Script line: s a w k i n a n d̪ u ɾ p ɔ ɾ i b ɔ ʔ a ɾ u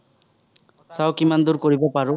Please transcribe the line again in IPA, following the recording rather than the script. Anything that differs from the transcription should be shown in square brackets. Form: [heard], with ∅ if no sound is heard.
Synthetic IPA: s a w k i [m] a n d̪ u ɾ [k] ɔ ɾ i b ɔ [p] a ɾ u